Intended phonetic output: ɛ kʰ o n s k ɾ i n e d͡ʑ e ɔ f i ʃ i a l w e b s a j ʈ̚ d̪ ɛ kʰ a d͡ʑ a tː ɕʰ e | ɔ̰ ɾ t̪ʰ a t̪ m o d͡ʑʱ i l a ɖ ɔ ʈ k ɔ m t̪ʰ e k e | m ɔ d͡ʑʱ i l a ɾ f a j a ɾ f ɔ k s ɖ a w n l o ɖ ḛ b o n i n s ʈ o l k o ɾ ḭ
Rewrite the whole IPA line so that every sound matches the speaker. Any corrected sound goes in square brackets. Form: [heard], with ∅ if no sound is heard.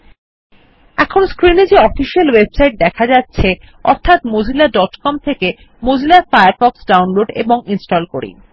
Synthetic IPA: ɛ kʰ o n s k ɾ i n e d͡ʑ e ɔ f i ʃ i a l w e b s a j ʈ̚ d̪ ɛ kʰ a d͡ʑ a tː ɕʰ e | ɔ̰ ɾ t̪ʰ a t̪ m o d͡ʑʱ i l a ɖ ɔ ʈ k ɔ m t̪ʰ e k e | m [o] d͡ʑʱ i l a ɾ f a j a ɾ f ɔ k s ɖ a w n l o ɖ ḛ b o [ŋ] i n s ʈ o l k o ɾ ḭ